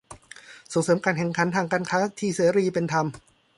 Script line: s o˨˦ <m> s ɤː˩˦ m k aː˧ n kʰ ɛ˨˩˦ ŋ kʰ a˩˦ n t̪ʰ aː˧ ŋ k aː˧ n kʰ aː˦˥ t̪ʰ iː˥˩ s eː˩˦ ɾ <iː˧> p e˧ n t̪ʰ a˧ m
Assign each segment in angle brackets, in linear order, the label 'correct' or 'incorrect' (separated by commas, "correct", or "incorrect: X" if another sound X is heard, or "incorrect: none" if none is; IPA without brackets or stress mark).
incorrect: ŋ, correct